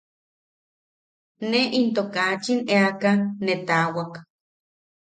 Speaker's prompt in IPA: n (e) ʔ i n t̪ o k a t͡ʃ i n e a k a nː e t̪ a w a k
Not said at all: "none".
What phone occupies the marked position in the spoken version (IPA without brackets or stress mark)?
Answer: e